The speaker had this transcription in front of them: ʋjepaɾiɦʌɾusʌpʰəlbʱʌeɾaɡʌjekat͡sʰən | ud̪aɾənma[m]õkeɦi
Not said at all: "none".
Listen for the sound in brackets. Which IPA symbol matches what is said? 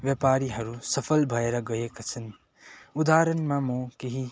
m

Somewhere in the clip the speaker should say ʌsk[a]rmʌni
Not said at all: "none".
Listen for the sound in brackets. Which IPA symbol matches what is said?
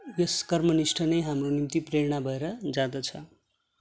ʌ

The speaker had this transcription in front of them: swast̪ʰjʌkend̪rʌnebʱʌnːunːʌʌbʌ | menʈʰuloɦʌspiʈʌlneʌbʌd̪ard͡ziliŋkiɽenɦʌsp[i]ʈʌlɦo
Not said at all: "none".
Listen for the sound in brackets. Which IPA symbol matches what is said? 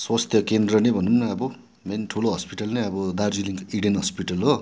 i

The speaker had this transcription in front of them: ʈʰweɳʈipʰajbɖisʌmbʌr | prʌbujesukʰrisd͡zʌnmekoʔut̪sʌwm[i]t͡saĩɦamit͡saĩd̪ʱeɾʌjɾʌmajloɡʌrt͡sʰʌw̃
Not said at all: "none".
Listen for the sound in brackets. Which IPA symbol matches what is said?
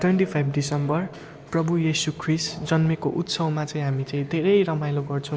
a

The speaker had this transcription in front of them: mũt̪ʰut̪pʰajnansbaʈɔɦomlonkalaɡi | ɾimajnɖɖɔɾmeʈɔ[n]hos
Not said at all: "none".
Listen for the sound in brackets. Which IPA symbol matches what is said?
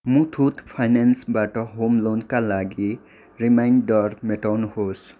n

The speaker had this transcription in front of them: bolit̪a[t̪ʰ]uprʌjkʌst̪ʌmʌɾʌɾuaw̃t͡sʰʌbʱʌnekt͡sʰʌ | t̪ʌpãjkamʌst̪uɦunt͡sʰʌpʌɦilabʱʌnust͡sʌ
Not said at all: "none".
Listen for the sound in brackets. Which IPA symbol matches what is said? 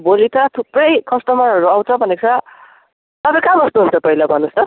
t̪ʰ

